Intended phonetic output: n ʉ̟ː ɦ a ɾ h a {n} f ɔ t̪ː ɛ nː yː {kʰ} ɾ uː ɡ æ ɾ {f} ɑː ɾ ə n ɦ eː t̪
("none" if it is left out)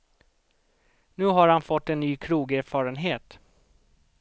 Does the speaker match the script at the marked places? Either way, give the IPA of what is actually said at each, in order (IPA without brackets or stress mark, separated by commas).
n, kʰ, f